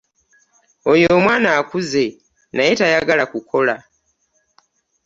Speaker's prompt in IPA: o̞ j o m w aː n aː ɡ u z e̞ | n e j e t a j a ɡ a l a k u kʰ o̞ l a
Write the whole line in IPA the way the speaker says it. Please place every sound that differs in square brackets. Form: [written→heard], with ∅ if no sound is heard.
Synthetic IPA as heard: o̞ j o m w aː n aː [ɡ→k] u z e̞ | n [e→a] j e t a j a ɡ a l a k u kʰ o̞ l a